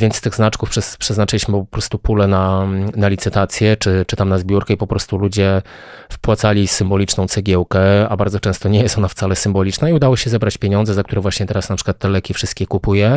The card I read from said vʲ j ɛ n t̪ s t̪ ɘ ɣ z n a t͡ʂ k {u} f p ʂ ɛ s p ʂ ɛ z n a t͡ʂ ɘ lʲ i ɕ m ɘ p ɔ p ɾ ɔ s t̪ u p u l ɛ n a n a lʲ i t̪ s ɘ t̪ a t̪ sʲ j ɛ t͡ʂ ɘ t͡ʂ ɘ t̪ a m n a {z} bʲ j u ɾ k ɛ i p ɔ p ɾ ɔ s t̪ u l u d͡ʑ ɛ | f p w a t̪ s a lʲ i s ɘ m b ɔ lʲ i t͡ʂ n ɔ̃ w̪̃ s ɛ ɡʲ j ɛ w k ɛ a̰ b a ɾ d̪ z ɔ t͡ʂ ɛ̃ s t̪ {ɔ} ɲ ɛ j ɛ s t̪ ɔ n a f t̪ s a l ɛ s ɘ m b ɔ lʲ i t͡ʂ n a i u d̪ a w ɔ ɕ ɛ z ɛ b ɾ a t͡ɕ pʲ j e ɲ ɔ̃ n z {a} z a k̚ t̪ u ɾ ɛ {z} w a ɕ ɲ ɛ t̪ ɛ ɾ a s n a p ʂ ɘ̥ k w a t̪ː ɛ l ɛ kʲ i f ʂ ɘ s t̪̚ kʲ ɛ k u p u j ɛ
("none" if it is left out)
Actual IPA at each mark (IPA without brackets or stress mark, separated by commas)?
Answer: u, z, ɔ, ɛ, v